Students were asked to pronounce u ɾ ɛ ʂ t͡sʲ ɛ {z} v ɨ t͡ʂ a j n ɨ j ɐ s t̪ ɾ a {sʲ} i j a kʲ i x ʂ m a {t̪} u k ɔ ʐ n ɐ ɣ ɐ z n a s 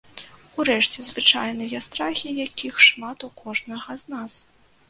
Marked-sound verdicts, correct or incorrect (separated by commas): correct, incorrect, correct